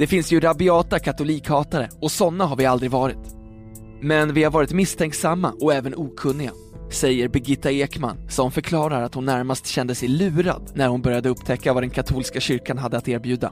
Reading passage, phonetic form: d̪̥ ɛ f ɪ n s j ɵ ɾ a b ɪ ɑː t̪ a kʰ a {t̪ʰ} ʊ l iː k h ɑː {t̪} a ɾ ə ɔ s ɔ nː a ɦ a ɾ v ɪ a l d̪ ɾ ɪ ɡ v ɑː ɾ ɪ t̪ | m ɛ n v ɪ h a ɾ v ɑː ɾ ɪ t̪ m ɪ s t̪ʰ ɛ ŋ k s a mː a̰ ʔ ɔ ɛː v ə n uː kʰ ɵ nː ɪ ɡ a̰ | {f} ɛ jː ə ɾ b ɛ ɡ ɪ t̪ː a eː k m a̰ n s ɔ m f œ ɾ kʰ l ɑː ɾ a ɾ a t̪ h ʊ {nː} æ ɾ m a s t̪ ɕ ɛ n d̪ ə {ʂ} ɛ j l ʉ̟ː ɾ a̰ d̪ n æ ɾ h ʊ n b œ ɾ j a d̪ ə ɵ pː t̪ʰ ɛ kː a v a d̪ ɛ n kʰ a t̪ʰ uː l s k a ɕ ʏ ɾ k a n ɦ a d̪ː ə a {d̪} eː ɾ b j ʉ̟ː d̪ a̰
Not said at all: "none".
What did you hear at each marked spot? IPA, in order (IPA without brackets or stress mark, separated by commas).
t̪, t̪, s, nː, s, t̪